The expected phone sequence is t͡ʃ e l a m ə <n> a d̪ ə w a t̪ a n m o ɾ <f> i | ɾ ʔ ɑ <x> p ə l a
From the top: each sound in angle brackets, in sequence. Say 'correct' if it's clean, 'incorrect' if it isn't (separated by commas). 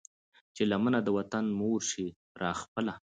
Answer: correct, incorrect, correct